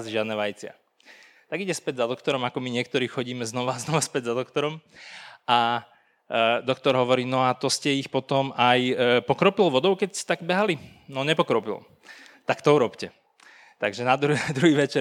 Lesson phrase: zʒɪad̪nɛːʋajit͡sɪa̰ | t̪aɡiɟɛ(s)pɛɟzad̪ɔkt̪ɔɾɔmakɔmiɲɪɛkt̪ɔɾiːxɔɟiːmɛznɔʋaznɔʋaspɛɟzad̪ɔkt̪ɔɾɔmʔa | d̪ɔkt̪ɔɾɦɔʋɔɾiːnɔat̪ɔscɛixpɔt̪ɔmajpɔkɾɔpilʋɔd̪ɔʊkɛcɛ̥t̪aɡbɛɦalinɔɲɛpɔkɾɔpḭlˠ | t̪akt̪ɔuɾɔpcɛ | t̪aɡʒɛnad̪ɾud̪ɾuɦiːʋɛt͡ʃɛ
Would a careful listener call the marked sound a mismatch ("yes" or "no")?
no